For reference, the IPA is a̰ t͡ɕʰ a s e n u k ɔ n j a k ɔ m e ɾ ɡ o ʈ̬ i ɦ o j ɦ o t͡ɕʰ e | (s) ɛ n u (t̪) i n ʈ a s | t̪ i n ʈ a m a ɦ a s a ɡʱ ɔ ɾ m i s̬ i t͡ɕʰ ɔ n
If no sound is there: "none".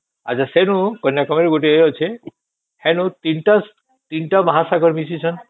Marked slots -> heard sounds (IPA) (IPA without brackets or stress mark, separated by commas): h, t̪